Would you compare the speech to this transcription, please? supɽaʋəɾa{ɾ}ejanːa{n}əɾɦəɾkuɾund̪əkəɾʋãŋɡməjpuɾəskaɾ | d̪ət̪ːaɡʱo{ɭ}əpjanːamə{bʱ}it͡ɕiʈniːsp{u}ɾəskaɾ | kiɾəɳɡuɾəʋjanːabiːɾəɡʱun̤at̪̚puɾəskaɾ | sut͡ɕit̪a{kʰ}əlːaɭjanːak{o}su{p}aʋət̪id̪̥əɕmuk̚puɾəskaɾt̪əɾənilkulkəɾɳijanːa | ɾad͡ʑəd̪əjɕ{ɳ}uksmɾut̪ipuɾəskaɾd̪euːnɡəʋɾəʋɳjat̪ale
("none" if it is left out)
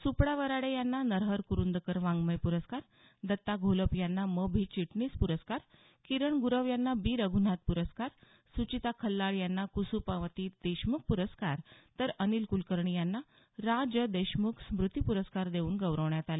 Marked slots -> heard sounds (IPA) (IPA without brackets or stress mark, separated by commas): ɽ, n, l, bʱ, u, kʰ, u, p, m